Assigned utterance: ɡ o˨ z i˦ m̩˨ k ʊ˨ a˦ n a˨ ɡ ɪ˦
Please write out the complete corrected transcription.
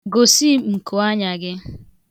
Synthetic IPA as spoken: ɡ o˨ s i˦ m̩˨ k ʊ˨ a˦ ɲ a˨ ɡ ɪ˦